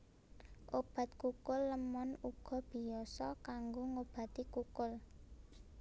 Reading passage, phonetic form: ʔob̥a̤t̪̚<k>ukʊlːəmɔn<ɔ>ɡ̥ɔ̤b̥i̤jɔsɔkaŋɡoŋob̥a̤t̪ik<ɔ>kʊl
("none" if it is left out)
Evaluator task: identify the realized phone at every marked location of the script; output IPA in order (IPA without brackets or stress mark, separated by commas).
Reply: k, u, u